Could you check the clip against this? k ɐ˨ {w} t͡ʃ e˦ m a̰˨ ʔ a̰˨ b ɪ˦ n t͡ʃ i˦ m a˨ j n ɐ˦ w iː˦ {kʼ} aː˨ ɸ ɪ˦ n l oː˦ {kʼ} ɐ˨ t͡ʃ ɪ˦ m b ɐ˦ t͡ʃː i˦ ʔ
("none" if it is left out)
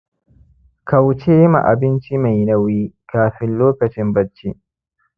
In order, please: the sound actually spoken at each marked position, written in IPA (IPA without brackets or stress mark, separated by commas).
w, k, k